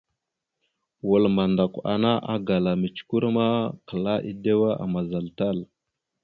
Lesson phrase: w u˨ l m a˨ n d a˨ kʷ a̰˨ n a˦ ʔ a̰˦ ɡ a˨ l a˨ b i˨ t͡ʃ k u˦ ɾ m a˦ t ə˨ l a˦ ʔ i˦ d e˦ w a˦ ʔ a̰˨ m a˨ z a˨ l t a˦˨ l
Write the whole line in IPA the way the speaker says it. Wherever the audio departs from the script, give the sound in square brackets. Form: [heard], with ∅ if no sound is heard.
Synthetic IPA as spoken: w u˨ l m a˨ n d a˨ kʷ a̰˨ n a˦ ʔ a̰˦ ɡ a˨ l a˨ [m] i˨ t͡ʃ k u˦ ɾ m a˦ [k] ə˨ l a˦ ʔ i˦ d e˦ w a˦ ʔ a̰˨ m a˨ z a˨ l t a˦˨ l